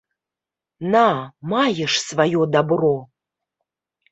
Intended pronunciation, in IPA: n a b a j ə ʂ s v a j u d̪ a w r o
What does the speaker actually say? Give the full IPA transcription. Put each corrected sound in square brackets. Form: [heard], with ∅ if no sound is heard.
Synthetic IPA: n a [m] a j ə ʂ s v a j [o] d̪ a [b] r o